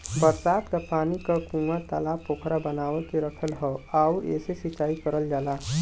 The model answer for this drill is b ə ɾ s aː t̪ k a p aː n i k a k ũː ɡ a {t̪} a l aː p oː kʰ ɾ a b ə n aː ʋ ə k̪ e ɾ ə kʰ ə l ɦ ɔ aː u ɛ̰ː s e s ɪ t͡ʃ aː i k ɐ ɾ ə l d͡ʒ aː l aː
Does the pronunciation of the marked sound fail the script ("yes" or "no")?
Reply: no